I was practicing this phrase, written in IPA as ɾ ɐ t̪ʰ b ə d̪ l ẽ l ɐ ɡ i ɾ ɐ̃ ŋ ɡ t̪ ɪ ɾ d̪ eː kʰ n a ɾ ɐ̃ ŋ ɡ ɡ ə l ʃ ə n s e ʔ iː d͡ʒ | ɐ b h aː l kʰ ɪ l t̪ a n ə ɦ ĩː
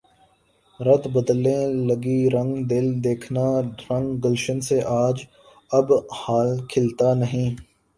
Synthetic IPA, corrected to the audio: ɾ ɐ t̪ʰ b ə d̪ l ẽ l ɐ ɡ i ɾ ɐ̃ ŋ ɡ d̪ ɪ l d̪ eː kʰ n a ɾ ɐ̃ ŋ ɡ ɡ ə l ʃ ə n s e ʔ aː d͡ʒ | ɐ b h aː l kʰ ɪ l t̪ a n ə ɦ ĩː